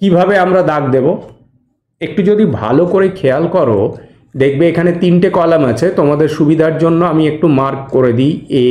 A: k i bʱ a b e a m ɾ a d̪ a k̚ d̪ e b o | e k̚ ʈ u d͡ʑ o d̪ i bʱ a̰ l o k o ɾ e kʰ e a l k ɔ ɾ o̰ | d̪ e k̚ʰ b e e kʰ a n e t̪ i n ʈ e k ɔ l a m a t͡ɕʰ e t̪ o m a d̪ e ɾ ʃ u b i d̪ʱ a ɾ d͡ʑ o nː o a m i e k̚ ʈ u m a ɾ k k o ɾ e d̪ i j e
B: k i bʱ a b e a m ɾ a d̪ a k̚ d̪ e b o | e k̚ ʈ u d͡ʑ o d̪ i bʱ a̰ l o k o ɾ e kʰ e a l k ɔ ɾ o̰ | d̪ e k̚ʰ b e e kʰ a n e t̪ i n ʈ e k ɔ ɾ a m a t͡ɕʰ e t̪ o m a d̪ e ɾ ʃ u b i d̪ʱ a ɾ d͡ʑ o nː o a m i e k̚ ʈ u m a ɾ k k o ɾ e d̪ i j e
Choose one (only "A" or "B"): A